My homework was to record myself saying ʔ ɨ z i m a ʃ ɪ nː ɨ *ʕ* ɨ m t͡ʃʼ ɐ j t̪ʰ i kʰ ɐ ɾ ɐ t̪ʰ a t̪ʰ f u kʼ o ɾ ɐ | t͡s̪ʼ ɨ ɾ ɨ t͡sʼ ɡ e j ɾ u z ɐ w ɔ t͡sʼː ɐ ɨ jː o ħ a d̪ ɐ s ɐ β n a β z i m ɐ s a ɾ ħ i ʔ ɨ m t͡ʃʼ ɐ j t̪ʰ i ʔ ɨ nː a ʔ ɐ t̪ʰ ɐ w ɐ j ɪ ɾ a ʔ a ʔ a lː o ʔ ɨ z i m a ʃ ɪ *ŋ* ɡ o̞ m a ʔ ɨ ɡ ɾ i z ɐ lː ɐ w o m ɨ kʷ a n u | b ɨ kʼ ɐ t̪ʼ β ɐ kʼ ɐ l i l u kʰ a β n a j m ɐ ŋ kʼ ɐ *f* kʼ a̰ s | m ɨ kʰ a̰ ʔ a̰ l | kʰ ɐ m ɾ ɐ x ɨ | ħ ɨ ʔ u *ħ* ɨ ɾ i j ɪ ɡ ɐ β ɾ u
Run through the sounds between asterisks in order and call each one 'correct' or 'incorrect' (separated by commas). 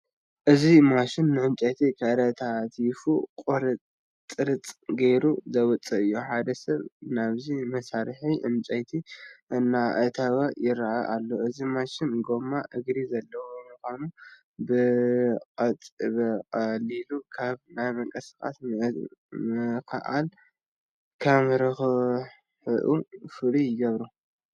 correct, incorrect, incorrect, incorrect